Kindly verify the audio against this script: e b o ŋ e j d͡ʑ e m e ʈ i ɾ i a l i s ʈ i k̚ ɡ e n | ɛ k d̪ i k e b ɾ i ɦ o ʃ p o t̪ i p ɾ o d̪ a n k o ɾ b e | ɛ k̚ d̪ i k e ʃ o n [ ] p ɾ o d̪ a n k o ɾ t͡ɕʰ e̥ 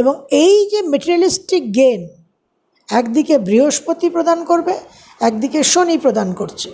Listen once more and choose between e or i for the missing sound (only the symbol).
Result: i